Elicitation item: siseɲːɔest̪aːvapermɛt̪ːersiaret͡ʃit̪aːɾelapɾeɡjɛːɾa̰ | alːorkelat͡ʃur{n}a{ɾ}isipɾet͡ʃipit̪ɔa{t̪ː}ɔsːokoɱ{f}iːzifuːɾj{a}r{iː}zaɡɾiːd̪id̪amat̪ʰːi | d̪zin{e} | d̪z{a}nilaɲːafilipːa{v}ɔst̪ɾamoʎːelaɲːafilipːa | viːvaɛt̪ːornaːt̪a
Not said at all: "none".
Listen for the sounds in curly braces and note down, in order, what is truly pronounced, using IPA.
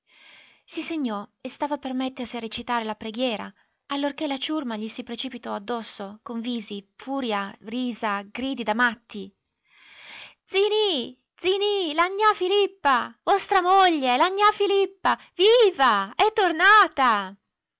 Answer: m, ʎ, d̪ː, v, a, iː, i, i, v

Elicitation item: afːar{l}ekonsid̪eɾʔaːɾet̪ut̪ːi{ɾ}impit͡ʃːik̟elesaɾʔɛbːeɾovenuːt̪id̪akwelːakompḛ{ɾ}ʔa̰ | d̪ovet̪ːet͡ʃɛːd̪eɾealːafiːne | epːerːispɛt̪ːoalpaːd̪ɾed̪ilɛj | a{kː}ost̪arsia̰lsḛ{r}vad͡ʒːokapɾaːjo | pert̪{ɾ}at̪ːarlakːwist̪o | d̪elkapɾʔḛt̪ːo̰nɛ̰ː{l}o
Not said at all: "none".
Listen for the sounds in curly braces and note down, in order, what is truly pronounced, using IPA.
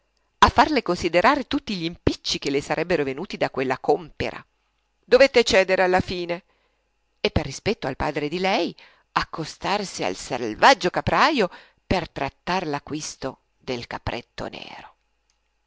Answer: l, ʎ, ɾ, kː, l, ɾ, ɾ

